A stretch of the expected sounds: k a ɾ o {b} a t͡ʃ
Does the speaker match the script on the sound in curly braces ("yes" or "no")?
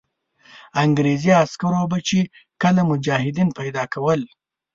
yes